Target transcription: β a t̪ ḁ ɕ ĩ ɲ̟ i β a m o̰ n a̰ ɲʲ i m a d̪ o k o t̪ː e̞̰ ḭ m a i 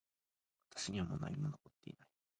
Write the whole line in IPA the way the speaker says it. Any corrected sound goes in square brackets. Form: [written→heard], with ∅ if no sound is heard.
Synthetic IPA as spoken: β a t̪ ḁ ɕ [ĩ→i] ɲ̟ i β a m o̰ n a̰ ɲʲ i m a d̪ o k o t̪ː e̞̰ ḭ [m→n] a i